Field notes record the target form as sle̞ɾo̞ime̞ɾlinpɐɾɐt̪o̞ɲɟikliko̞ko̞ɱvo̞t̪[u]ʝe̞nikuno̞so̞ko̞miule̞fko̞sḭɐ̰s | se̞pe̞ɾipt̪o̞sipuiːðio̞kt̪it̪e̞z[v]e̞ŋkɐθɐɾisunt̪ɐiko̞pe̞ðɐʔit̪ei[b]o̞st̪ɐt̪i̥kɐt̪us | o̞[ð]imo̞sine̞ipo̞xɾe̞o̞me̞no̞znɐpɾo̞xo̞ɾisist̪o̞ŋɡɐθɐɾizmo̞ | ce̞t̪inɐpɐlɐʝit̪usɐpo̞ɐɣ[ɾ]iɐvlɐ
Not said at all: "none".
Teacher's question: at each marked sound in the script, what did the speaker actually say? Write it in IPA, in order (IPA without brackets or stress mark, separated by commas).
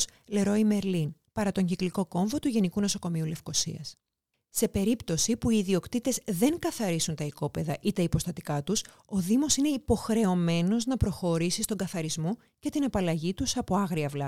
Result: u, ð, p, ð, ɾ